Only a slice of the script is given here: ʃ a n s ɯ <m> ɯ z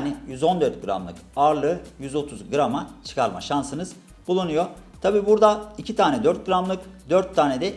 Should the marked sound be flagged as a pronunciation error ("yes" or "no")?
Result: yes